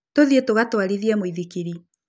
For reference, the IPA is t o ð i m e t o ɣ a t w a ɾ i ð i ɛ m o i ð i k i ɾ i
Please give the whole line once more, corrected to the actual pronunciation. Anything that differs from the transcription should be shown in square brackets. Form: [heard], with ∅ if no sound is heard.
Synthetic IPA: t o ð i [∅] e t o ɣ a t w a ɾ i ð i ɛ m o i ð i k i ɾ i